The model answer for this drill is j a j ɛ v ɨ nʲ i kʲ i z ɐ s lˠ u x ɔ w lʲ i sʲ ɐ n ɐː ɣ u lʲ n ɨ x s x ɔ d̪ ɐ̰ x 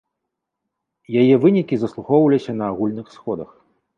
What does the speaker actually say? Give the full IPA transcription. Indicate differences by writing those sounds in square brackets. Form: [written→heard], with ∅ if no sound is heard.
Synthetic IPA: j a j ɛ v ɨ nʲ i kʲ i z ɐ s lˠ u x ɔ w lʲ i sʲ ɐ n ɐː ɣ u lʲ n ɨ x s x ɔ d̪ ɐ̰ x